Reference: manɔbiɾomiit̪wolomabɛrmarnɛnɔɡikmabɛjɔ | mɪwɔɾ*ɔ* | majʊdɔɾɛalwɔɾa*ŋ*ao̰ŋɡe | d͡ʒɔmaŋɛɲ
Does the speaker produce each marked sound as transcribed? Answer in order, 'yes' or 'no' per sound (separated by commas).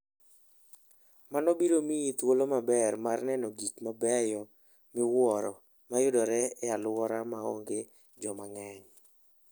yes, no